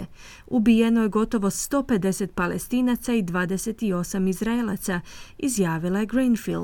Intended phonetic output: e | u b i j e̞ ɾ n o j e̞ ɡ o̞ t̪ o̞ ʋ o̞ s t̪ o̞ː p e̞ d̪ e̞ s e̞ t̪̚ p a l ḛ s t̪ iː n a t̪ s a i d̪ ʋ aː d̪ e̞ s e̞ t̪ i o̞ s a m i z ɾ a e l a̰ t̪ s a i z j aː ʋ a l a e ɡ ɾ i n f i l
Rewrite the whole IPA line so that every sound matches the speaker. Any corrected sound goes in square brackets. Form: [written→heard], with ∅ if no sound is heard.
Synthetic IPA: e | u b i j e̞ [ɾ→∅] n o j e̞ ɡ o̞ t̪ o̞ ʋ o̞ s t̪ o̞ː p e̞ d̪ e̞ s e̞ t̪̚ p a l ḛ s t̪ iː n a t̪ s a i d̪ ʋ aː d̪ e̞ s e̞ t̪ i o̞ s a m i z ɾ a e l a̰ t̪ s a i z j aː ʋ [a→i] l a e ɡ ɾ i n f i l